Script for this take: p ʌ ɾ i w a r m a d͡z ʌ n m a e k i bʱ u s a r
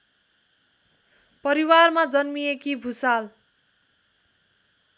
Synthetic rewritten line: p ʌ ɾ i w a r m a d͡z ʌ n m i e k i bʱ u s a l